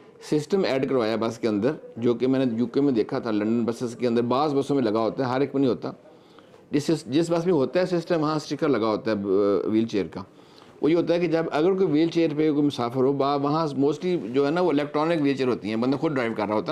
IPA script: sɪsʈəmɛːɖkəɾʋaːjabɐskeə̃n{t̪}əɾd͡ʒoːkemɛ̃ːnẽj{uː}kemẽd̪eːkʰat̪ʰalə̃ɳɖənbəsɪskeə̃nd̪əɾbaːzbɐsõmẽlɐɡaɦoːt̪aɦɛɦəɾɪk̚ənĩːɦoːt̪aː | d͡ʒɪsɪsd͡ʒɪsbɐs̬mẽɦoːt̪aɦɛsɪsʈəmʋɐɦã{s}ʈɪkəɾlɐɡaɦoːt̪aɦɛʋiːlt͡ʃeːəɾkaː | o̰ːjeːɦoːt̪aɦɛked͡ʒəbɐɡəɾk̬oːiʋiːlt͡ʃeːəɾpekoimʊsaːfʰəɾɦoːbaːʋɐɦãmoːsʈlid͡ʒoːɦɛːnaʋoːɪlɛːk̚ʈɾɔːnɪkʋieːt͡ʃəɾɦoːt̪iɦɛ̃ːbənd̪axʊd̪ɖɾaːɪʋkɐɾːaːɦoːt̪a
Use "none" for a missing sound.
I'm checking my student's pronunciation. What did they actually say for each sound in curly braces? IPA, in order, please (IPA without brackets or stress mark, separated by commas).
d̪, uː, s